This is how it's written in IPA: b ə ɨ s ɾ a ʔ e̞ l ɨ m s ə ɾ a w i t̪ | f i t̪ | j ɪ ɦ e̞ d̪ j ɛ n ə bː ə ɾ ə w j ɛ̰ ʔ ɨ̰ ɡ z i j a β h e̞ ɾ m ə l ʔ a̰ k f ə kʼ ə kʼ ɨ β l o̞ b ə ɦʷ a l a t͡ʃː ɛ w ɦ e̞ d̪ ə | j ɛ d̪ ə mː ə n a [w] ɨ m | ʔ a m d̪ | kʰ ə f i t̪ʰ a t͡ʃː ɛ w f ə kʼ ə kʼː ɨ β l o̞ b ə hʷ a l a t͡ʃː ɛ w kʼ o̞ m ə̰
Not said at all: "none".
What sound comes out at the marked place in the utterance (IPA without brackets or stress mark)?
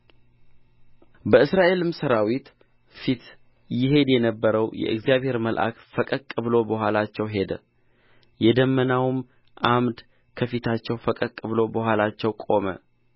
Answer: w